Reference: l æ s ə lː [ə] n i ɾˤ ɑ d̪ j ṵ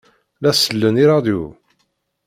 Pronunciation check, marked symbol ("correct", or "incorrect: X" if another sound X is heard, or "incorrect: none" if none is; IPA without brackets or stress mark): correct